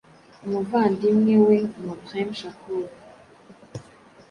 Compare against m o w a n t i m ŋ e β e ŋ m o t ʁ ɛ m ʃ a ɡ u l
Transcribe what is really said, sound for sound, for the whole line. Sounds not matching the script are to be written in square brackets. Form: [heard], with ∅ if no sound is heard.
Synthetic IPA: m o [v] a n [d] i m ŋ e [w] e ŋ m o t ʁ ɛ m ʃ a [k] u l